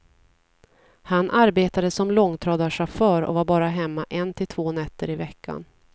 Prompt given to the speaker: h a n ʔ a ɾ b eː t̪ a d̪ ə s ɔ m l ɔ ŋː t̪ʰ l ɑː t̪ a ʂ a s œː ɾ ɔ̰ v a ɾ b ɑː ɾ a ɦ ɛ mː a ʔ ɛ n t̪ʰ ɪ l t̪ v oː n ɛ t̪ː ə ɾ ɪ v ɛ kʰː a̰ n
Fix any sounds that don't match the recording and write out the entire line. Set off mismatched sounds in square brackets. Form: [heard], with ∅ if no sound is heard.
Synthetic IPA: h a n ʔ a ɾ b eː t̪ a d̪ ə s ɔ m l ɔ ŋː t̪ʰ [ɾ] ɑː [d̪] a ʂ a [f] œː ɾ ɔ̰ v a ɾ b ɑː ɾ a ɦ ɛ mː a ʔ ɛ n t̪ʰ ɪ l [t̪ʰ] v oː n ɛ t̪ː ə ɾ ɪ v ɛ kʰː a̰ n